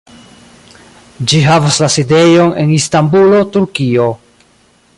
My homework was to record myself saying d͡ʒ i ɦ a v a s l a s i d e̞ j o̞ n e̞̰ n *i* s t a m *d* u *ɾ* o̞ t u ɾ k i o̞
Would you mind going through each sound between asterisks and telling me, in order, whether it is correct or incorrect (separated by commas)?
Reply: correct, incorrect, incorrect